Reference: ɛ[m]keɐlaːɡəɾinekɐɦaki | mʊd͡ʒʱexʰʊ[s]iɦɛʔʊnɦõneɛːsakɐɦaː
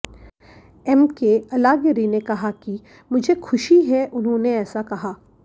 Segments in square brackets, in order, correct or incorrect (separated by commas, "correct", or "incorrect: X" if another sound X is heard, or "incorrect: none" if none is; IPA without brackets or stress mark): correct, incorrect: ʃ